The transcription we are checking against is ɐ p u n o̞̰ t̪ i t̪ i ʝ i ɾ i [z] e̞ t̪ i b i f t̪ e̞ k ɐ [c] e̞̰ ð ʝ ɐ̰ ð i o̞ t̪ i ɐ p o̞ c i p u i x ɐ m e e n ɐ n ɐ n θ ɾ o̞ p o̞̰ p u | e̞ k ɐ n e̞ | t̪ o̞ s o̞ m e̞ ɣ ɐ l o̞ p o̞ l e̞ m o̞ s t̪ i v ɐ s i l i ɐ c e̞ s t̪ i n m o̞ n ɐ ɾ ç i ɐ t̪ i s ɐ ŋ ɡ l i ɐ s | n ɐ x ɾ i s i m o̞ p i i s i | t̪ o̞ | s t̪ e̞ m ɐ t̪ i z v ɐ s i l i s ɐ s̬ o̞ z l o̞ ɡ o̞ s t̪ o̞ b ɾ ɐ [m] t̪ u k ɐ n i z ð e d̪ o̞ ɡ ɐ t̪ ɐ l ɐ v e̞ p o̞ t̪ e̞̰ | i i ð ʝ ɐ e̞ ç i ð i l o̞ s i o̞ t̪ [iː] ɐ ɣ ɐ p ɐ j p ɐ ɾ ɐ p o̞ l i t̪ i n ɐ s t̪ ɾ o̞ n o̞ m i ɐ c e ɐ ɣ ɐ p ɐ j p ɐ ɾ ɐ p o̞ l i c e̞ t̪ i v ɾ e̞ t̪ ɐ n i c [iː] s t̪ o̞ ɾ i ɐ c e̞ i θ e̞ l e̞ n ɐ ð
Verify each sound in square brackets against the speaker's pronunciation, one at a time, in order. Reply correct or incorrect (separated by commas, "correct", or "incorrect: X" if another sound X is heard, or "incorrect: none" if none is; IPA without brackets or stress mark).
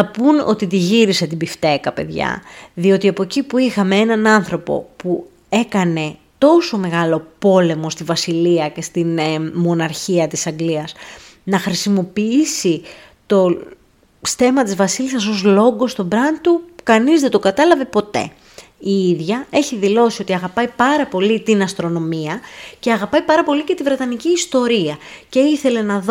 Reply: incorrect: s, incorrect: p, incorrect: n, incorrect: i, correct